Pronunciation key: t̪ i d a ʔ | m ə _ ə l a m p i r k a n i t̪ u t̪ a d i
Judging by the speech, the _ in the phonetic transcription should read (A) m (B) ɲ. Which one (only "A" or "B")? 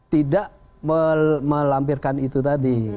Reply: A